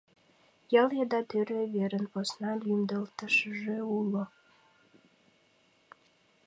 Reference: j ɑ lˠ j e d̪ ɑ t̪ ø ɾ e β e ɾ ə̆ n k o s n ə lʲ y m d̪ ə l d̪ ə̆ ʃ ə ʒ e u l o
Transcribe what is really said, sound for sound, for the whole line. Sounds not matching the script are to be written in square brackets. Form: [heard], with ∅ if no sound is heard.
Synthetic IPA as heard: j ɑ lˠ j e d̪ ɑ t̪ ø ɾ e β e ɾ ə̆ n [p] o s n [ɑ] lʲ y m d̪ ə l [t̪] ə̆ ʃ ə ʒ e u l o